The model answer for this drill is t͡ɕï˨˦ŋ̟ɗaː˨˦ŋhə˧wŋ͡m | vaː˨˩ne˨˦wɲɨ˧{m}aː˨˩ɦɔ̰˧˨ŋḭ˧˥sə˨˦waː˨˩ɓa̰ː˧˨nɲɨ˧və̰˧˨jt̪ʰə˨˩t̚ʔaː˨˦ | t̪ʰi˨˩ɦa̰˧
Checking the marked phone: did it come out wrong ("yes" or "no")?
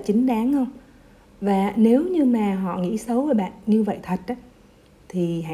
no